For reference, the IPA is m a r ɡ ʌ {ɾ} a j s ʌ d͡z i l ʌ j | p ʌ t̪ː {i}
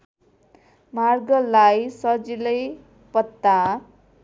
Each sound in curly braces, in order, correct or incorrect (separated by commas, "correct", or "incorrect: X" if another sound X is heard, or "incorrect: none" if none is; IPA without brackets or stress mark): incorrect: l, incorrect: a